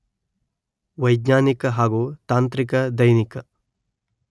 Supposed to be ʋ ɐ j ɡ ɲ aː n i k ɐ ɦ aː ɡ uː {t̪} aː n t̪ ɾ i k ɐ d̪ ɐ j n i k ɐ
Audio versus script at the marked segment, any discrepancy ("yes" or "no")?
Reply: no